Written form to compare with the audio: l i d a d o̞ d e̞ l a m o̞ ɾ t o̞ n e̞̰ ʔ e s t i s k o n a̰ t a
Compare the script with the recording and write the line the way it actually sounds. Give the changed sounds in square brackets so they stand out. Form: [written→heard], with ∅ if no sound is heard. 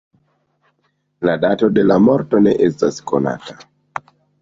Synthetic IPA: l [i→a] d a [d→t] o̞ d e̞ l a m o̞ ɾ t o̞ n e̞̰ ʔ e s t [i→a] s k o n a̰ t a